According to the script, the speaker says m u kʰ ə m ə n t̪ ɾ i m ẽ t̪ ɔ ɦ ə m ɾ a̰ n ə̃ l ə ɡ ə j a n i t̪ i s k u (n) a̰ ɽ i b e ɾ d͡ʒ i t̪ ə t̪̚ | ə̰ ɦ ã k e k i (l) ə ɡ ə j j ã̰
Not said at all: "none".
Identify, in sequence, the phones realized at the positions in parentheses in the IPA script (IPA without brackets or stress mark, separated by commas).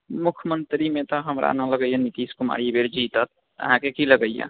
m, l